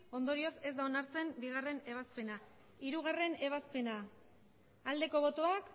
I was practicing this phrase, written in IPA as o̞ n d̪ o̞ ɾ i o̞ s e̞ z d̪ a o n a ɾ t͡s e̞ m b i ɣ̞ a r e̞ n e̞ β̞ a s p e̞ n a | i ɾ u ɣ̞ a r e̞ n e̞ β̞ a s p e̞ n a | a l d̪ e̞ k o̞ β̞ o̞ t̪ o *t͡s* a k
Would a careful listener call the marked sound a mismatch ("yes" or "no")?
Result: yes